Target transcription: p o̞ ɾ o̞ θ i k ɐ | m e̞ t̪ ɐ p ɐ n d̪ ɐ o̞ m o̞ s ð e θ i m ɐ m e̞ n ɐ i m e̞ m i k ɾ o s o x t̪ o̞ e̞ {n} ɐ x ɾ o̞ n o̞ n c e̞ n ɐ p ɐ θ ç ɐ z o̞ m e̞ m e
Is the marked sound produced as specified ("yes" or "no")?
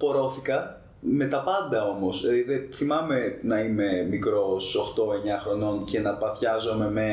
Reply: no